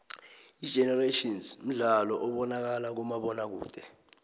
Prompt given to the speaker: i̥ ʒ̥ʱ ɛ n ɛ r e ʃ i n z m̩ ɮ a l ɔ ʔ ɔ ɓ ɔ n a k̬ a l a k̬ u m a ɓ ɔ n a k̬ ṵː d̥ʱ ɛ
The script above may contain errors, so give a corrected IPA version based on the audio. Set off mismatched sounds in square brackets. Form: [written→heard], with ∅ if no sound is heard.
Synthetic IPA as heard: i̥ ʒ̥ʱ ɛ n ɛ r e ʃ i n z m̩ ɮ a l ɔ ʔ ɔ ɓ ɔ n a k̬ a l a k̬ u m a ɓ ɔ n a k̬ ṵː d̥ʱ ɛ